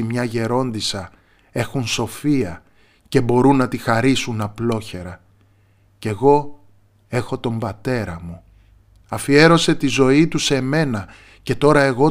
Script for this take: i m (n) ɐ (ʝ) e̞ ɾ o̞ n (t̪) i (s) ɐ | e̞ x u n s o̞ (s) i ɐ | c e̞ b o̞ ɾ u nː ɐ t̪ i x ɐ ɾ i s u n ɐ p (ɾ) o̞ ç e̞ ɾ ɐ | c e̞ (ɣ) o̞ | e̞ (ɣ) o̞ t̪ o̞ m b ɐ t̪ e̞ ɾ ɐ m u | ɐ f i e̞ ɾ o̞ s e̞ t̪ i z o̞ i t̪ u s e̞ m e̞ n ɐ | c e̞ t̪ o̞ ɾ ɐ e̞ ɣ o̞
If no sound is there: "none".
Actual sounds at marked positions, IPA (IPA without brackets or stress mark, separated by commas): ɲ, ʝ, d̪, s, f, l, ɣ, x